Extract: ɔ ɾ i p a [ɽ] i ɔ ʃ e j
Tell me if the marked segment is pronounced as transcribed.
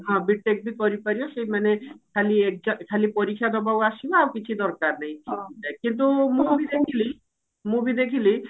no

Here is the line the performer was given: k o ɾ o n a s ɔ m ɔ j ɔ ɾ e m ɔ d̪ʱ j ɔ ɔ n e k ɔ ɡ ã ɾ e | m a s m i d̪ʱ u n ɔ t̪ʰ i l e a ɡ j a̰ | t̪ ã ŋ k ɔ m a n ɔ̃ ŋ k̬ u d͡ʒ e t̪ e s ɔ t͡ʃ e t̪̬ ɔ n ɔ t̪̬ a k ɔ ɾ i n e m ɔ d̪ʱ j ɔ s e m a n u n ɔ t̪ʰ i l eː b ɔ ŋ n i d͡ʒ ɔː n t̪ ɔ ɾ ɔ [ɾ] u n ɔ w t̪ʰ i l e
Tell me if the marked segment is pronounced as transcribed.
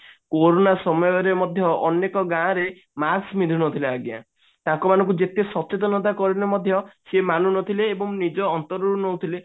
yes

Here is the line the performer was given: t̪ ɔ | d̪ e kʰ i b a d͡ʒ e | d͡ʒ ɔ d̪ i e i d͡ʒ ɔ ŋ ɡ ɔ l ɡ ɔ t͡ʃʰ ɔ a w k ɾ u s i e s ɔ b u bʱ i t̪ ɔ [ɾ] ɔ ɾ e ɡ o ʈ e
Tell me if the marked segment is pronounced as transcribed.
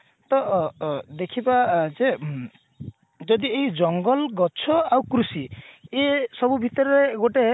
yes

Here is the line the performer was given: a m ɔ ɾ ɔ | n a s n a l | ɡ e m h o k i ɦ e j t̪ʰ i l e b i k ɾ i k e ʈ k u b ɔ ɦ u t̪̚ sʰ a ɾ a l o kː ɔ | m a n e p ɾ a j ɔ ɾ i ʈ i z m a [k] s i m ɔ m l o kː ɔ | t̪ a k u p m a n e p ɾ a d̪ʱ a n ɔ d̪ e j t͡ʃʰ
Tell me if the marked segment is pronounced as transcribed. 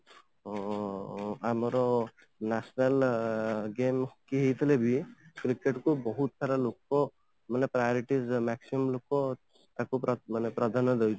yes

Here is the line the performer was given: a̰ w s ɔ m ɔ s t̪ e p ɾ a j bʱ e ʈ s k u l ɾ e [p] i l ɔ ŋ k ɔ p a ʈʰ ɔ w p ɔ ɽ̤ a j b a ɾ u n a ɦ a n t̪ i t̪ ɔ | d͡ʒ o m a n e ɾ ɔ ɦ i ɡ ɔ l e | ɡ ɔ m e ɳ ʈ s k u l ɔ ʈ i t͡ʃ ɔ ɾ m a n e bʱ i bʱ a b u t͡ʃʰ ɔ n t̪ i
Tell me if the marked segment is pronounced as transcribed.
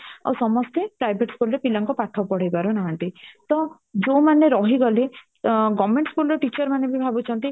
yes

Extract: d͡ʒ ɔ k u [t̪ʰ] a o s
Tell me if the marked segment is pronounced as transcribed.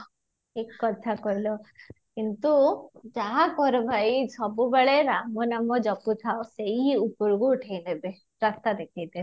yes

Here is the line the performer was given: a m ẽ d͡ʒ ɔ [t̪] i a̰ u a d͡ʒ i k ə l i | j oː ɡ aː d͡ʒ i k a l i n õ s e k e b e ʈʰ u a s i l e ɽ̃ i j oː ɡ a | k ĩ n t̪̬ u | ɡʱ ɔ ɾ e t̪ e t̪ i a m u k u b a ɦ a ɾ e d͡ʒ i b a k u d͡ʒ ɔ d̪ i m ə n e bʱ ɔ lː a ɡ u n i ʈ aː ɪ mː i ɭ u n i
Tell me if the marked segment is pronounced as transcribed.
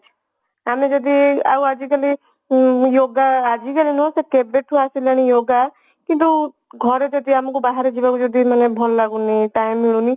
no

